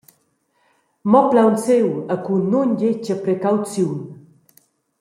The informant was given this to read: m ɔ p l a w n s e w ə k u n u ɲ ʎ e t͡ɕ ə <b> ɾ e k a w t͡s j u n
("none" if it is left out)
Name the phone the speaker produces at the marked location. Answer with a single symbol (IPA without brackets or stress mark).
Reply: p